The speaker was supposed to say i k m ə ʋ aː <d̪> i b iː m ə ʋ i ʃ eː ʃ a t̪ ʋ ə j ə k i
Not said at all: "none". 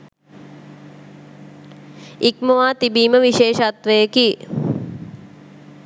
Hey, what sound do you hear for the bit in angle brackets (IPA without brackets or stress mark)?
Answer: t̪